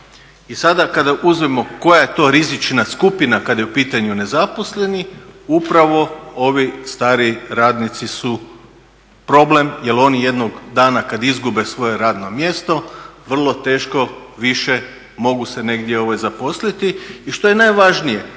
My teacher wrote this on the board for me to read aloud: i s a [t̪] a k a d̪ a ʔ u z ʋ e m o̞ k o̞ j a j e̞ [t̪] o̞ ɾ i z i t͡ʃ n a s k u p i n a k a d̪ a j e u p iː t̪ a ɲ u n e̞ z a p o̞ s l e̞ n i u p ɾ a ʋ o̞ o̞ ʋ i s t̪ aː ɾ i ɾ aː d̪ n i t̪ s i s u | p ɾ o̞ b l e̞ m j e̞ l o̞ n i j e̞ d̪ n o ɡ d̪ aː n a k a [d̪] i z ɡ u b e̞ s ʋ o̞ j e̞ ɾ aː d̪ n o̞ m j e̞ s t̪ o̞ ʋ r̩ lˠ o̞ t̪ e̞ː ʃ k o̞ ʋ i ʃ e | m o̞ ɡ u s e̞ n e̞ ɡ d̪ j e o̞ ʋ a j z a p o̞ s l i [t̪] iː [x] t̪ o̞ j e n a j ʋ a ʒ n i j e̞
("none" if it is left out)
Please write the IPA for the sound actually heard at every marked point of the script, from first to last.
d̪, t̪, d̪, t̪, ʃ

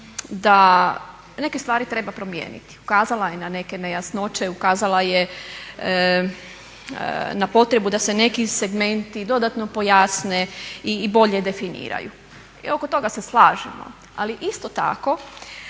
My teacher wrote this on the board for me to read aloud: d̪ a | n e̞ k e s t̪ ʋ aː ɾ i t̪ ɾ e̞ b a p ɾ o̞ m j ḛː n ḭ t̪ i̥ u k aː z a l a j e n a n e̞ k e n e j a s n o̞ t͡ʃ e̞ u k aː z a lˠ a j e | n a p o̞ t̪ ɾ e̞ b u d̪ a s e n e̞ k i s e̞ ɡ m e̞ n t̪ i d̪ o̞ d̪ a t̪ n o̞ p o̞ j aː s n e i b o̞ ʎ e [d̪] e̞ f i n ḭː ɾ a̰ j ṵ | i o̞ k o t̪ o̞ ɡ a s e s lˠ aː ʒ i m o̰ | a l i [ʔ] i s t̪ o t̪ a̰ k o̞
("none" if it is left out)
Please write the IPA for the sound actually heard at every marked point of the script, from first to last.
d̪, ʔ

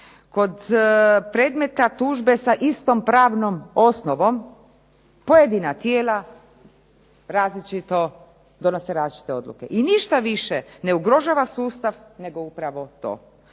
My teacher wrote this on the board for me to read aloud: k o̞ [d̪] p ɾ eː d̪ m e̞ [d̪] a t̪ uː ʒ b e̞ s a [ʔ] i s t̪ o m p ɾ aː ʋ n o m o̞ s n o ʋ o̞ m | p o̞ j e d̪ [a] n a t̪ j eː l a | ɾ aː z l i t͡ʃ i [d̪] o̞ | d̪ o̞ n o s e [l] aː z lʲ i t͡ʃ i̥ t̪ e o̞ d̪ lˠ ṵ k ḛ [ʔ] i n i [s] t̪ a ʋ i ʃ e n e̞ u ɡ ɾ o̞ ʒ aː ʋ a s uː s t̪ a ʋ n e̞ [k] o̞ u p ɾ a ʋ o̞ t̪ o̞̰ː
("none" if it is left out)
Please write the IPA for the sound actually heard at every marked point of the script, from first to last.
d̪, t̪, ʔ, i, t̪, ɾ, ʔ, ʃ, ɡ

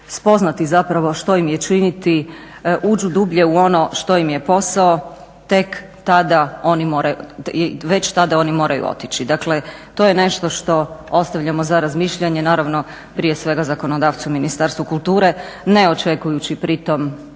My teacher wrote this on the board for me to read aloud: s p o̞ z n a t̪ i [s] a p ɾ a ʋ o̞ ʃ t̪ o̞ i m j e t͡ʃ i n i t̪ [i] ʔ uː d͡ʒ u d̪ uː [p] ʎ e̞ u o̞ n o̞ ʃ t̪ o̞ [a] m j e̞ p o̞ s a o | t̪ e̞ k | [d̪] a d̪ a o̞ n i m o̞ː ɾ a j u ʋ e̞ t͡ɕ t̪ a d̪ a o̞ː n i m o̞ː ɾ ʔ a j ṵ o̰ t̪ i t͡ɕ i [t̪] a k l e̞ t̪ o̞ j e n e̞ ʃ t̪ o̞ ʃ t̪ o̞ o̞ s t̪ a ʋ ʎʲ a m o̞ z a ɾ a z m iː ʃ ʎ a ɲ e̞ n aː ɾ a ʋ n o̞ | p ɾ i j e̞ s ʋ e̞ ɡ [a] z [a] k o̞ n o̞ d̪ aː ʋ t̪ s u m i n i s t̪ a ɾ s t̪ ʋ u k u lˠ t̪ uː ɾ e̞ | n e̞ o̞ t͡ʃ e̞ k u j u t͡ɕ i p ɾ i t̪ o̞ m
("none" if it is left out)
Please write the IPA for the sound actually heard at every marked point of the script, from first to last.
z, i, b, i, t̪, d̪, a, a

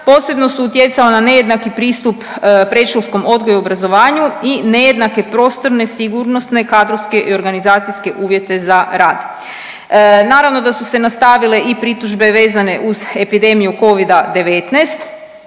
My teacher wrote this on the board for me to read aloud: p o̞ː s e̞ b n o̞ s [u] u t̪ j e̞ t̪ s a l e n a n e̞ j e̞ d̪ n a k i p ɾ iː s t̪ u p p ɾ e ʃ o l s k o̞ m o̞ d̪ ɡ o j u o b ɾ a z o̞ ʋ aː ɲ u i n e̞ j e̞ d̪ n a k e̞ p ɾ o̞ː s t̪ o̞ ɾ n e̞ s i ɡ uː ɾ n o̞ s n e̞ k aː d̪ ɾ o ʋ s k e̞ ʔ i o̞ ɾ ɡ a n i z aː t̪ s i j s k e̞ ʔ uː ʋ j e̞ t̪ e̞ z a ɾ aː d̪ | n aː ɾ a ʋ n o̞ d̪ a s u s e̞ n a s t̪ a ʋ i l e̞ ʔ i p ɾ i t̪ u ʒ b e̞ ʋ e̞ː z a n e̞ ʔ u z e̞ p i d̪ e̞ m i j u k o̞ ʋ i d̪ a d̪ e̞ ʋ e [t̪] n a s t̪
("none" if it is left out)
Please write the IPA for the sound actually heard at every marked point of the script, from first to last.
u, t̪

